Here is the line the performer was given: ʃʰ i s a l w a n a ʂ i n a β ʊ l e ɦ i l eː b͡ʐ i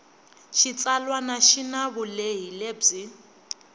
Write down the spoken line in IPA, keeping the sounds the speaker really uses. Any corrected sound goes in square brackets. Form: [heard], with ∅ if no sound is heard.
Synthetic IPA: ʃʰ i [t͡s] a l w a n a [ʃ] i n a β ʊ l e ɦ i l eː b͡ʐ i